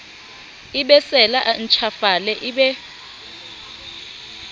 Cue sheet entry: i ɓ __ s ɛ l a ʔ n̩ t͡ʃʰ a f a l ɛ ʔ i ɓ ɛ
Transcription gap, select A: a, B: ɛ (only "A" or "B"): B